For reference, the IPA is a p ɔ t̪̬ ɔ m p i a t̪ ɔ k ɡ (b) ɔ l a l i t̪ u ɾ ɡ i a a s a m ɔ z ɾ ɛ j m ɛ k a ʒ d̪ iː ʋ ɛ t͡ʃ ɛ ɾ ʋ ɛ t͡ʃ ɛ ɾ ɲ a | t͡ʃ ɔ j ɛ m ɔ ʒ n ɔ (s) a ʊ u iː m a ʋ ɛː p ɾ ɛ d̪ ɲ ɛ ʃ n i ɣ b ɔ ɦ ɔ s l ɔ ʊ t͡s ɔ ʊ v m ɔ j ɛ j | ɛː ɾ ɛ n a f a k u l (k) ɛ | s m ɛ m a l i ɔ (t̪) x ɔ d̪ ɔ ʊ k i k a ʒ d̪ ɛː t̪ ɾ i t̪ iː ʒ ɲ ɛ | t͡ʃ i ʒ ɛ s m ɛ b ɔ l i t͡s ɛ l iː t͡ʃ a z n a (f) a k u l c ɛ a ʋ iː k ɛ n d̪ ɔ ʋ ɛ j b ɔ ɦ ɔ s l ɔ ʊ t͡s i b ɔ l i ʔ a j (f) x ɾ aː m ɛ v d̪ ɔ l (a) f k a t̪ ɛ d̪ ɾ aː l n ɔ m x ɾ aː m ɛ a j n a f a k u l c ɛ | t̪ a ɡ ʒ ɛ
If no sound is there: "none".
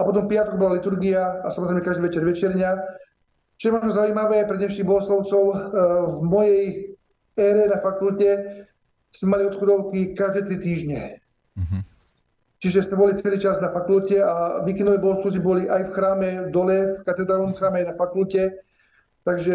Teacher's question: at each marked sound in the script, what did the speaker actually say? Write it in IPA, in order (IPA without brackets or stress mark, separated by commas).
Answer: b, z, c, t̪, f, f, ɛ